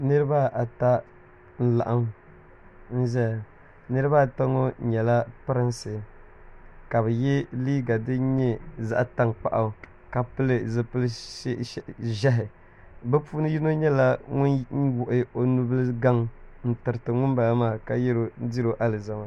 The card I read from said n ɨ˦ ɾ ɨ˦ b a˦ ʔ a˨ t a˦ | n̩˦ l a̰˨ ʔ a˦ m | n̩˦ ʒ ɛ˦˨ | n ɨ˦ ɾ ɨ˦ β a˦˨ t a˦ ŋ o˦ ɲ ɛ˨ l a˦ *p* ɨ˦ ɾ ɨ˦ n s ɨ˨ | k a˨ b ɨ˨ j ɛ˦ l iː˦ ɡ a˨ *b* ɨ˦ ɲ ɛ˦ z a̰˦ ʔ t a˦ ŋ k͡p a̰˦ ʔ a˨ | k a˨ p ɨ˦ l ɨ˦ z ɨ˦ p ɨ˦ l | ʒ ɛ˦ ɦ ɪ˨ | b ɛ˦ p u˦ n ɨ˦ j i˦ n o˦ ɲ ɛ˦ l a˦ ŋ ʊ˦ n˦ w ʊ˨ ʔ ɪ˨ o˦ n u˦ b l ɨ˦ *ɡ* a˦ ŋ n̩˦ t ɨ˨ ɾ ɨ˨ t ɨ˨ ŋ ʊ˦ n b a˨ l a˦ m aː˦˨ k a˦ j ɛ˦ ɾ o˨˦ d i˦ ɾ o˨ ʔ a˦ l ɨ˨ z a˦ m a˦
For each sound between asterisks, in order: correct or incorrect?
correct, incorrect, correct

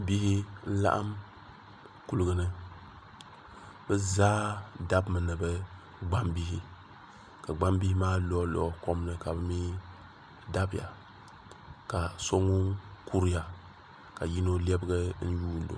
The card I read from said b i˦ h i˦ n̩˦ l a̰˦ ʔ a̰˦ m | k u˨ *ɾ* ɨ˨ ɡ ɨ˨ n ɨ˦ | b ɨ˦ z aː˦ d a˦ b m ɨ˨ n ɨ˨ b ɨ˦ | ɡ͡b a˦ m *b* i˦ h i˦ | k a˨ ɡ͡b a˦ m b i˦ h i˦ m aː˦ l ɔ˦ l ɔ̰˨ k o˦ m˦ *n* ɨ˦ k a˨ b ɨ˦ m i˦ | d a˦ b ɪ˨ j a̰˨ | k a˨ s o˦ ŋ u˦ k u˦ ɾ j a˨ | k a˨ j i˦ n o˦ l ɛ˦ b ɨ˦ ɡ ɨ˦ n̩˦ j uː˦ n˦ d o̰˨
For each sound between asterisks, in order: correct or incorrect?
incorrect, correct, correct

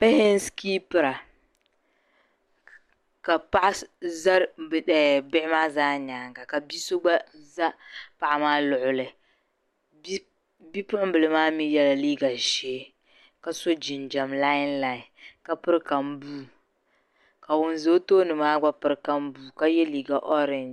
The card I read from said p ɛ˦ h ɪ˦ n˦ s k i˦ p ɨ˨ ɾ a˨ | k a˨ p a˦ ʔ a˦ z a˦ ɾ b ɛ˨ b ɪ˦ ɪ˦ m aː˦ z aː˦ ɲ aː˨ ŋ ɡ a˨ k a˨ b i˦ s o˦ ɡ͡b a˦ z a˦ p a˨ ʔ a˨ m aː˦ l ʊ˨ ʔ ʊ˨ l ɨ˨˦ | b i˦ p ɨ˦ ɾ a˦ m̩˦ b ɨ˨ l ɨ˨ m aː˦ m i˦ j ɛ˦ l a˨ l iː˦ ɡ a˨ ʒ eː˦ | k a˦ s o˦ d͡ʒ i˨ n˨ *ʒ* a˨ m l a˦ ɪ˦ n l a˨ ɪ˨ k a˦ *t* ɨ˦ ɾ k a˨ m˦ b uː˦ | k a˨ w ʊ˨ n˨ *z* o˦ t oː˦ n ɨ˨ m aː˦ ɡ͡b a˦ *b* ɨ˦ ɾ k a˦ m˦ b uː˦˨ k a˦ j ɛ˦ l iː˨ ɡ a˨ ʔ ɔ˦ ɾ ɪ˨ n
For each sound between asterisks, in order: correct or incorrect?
incorrect, incorrect, correct, incorrect

